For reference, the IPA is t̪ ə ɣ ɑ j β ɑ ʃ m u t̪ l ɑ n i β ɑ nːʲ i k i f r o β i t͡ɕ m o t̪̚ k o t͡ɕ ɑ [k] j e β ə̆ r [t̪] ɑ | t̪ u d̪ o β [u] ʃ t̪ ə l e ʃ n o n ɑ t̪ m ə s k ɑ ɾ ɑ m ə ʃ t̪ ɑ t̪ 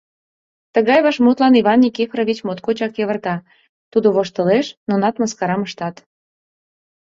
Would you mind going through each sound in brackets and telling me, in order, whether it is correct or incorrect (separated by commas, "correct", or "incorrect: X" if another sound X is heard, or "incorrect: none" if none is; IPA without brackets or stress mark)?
correct, correct, incorrect: o